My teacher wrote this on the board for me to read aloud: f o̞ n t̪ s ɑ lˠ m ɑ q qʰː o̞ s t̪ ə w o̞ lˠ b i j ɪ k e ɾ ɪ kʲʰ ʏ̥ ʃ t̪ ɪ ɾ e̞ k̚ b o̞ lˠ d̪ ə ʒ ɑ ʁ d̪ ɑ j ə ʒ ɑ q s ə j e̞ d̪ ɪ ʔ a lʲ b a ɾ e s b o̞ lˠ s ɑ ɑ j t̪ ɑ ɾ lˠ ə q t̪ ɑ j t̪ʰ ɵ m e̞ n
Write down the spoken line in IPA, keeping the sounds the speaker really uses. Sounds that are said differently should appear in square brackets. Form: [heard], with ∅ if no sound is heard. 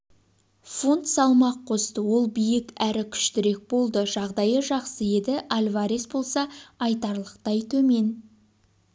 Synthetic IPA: f o̞ n t̪ s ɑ lˠ m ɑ q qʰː o̞ s t̪ ə w o̞ lˠ b i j ɪ k [æ] ɾ ɪ kʲʰ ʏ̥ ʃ t̪ ɪ ɾ e̞ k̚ b o̞ lˠ d̪ ə ʒ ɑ ʁ d̪ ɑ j ə ʒ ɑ q s ə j e̞ d̪ ɪ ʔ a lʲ [v] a ɾ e s b o̞ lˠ s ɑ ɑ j t̪ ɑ ɾ lˠ ə q t̪ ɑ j t̪ʰ ɵ m e̞ n